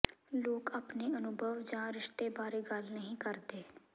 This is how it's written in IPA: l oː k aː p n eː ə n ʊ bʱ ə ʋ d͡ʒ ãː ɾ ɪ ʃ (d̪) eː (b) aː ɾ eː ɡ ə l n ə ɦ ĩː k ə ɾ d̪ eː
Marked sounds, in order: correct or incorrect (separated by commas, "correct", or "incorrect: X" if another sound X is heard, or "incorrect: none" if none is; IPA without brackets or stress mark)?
incorrect: t̪, correct